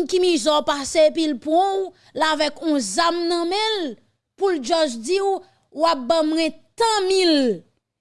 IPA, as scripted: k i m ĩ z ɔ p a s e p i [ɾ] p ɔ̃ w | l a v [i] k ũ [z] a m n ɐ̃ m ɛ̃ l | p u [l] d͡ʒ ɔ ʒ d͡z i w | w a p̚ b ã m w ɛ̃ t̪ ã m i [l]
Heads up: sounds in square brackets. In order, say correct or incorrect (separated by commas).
incorrect, incorrect, correct, correct, correct